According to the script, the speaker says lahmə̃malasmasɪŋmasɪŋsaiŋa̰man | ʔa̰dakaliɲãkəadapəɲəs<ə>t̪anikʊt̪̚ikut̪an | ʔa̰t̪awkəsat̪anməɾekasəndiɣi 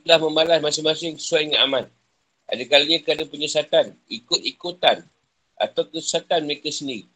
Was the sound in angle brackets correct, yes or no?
no